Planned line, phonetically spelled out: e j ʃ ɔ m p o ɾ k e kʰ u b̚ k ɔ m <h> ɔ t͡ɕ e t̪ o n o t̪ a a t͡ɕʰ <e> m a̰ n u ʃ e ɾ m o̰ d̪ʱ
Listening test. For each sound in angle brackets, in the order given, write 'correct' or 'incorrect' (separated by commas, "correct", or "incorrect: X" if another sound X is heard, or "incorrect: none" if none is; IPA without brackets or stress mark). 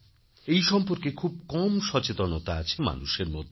incorrect: ʃ, correct